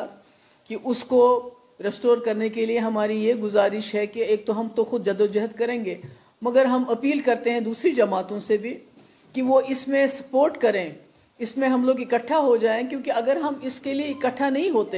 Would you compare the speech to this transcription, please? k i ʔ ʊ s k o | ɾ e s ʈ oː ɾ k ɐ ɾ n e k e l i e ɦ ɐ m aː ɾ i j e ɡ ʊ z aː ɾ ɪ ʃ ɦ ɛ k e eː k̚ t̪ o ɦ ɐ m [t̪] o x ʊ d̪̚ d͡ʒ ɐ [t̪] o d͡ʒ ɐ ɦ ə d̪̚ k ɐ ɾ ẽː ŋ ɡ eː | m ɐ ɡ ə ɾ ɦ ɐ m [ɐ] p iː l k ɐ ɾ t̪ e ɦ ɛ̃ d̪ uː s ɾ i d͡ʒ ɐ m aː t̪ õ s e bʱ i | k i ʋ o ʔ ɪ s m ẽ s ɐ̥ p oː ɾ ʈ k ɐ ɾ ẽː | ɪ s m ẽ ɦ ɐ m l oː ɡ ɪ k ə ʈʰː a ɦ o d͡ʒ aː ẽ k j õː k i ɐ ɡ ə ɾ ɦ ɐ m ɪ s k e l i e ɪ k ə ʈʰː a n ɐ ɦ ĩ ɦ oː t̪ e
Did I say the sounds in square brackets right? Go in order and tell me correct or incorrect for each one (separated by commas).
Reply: correct, incorrect, correct